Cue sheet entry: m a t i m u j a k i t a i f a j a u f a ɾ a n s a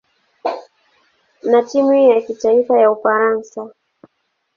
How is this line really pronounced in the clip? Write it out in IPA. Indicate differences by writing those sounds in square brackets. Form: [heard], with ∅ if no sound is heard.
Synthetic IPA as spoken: [n] a t i m u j a k i t a i f a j a u f a ɾ a n s a